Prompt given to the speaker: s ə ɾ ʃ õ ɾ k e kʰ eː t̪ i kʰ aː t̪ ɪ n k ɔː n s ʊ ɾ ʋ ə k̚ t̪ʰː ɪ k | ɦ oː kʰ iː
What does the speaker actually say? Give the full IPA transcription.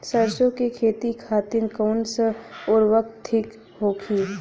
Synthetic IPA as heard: s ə ɾ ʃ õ k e kʰ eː t̪ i kʰ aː t̪ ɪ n k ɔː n s ʊ ɾ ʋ ə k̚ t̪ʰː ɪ k | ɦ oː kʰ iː